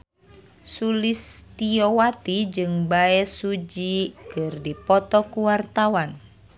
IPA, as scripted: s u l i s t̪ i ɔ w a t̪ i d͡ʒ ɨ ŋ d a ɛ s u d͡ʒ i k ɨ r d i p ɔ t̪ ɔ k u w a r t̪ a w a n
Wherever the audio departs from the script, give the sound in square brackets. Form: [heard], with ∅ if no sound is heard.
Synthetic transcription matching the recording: s u l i s t̪ i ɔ w a t̪ i d͡ʒ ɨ ŋ [b] a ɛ s u d͡ʒ i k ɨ r d i p ɔ t̪ ɔ k u w a r t̪ a w a n